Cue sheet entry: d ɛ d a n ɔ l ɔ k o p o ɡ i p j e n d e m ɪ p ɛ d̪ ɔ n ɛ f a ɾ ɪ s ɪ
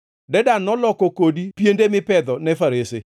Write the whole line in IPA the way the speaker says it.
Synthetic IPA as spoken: d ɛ d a n ɔ l ɔ k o k o d i p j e n d e m ɪ p ɛ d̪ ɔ n ɛ f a ɾ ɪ s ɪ